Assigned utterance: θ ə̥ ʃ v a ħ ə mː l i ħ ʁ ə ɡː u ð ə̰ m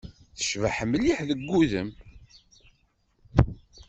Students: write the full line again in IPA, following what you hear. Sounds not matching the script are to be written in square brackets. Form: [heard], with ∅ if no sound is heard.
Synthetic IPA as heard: θ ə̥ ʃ v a ħ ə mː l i ħ [ð] ə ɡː u ð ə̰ m